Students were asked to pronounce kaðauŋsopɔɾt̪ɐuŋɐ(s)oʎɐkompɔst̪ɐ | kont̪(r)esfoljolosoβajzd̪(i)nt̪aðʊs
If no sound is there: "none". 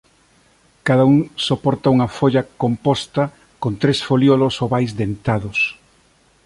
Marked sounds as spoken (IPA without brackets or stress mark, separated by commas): f, ɾ, e